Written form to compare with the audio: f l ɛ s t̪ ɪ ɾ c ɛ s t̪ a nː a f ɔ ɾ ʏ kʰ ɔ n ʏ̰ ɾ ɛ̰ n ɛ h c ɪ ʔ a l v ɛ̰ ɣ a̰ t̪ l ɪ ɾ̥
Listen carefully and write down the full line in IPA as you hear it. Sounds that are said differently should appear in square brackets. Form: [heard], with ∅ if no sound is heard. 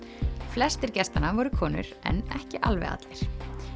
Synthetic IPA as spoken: f l ɛ s t̪ ɪ ɾ c ɛ s t̪ a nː a [v] ɔ ɾ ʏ kʰ [ɔː] n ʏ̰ ɾ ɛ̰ n ɛ h c ɪ ʔ a l v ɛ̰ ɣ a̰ t̪ l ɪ ɾ̥